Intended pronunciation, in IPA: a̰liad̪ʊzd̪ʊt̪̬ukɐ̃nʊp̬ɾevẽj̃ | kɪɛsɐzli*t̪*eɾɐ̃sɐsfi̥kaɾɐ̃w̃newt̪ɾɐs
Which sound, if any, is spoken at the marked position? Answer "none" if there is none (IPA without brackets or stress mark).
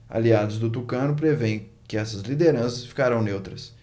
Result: d̪